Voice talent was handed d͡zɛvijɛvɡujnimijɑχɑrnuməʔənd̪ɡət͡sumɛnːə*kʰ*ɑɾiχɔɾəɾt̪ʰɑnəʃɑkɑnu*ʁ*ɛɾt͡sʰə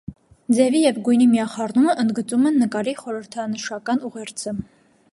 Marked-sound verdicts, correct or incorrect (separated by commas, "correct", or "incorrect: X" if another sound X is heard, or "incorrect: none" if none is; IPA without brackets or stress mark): incorrect: k, correct